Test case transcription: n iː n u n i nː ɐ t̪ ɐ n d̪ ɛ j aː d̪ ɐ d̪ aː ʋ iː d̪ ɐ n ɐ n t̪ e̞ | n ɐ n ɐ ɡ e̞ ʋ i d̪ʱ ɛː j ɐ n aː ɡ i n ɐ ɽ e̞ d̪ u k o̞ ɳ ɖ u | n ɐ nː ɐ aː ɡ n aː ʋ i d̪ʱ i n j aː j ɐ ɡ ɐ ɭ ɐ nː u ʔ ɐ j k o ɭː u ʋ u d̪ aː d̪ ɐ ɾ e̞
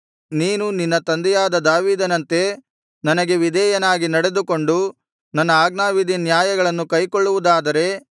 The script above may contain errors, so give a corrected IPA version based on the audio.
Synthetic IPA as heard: n iː n u n i nː ɐ t̪ ɐ n d̪ ɛ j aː d̪ ɐ d̪ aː ʋ iː d̪ ɐ n ɐ n t̪ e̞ | n ɐ n ɐ ɡ e̞ ʋ i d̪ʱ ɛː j ɐ n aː ɡ i n ɐ ɽ e̞ d̪ u k o̞ ɳ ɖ u | n ɐ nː ɐ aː ɡ n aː ʋ i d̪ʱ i n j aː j ɐ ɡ ɐ ɭ ɐ nː u k ɐ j k o ɭː u ʋ u d̪ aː d̪ ɐ ɾ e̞